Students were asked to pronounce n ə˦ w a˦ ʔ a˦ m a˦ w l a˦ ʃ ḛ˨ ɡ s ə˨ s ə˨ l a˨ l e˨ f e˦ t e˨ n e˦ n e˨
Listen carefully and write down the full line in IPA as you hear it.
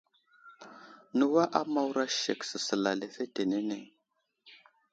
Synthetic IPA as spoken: n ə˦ w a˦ ʔ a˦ m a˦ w ɾ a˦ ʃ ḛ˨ k s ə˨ s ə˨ l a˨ l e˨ f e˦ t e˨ n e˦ n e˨